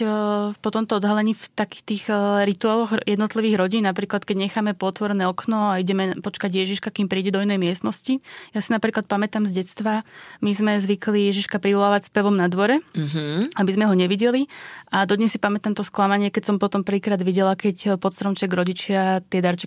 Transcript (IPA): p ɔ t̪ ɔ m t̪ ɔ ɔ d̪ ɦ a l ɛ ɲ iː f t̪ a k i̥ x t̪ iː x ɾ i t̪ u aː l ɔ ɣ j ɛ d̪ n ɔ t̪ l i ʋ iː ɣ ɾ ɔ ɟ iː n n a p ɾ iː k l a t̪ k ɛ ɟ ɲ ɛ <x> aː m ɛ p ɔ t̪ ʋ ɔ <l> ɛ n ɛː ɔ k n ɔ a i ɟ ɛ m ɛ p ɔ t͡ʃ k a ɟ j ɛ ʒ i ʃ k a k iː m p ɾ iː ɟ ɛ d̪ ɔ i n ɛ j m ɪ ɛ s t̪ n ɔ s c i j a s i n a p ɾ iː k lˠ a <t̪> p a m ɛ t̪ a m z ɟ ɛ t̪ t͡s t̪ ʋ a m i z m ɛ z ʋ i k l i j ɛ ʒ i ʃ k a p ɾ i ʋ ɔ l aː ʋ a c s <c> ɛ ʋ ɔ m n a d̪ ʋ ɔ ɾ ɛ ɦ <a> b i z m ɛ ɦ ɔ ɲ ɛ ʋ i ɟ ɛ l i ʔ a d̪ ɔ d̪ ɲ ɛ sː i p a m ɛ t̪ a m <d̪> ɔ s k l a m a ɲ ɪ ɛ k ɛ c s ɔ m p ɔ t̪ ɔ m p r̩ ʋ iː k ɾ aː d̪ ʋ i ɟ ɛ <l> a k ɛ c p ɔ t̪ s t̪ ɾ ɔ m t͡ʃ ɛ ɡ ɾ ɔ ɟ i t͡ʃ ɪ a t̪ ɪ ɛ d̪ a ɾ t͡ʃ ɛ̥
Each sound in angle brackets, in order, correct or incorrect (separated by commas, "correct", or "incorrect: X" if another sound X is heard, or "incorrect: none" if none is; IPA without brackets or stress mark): correct, incorrect: ɾ, correct, incorrect: p, correct, incorrect: t̪, correct